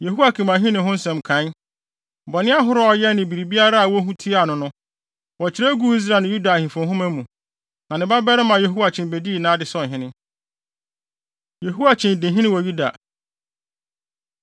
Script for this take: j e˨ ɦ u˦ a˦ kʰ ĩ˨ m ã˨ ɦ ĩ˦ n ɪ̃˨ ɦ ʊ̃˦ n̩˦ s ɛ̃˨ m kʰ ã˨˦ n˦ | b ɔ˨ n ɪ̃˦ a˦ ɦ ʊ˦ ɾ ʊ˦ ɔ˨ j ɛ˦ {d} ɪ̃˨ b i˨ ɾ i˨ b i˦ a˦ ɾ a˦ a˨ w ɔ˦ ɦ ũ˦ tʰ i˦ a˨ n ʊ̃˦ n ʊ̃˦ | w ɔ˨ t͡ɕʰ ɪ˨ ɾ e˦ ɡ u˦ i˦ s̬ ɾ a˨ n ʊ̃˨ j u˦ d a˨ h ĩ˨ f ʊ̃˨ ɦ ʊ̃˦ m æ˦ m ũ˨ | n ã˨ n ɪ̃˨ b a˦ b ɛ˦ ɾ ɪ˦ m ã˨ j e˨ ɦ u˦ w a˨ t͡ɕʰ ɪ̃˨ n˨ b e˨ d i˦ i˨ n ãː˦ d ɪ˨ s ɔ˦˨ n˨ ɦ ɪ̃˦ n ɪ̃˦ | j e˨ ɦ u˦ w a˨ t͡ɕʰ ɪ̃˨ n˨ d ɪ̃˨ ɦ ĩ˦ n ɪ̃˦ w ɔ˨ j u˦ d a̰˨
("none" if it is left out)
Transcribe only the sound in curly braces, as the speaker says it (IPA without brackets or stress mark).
n